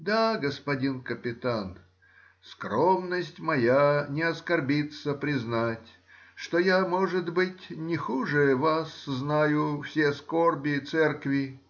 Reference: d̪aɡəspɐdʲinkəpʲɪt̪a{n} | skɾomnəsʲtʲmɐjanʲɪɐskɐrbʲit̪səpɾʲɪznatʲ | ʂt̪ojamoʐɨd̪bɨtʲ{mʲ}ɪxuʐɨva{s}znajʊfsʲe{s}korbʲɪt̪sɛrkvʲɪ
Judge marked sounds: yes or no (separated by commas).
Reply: yes, no, yes, yes